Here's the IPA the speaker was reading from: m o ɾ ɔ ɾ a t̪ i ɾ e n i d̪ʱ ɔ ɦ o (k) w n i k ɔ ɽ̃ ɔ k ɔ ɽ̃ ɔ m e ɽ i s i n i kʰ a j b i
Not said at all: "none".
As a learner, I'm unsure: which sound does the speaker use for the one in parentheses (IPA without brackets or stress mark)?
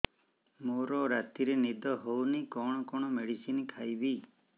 none